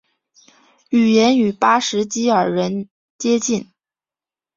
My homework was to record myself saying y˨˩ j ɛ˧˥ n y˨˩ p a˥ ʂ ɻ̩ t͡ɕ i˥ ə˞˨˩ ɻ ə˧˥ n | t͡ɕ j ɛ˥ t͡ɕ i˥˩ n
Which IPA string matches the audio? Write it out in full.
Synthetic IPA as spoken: y˨˩ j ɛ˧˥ n y˨˩ p a˥ ʂ ɻ̩ t͡ɕ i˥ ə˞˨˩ ɻ ə˧˥ n | t͡ɕ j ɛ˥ t͡ɕ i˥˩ n